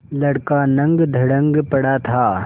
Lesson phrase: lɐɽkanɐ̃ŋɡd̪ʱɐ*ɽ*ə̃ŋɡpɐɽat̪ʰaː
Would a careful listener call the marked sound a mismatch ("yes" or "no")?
no